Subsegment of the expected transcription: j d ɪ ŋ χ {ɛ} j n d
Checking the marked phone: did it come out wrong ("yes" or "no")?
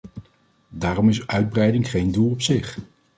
yes